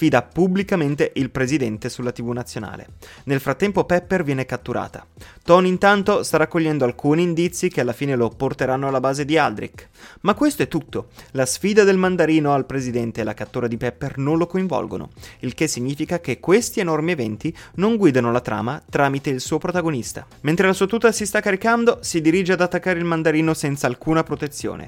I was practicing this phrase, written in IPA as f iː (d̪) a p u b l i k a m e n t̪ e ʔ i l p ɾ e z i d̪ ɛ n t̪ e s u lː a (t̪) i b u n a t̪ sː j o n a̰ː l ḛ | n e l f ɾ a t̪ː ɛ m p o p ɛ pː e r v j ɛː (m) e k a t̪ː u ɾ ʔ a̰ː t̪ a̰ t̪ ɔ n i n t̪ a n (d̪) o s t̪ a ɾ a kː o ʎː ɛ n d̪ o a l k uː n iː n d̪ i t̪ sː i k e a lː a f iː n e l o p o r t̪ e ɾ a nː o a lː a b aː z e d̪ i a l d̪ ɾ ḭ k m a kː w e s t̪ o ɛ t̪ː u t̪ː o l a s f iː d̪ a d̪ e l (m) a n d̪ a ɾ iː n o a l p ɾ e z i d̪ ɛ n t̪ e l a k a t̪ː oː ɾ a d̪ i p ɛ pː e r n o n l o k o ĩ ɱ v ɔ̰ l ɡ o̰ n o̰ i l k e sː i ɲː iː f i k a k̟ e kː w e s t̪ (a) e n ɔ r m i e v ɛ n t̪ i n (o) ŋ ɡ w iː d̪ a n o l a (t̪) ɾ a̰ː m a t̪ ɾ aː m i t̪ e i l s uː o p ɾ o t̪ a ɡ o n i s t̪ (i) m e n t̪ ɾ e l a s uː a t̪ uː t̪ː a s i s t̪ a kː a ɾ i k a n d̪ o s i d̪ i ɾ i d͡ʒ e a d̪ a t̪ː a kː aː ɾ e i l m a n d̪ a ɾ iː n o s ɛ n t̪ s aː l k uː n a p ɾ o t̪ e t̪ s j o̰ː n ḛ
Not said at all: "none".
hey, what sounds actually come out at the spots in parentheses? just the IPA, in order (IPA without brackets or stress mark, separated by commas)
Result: d̪, t̪, n, t̪, m, i, o, t̪, a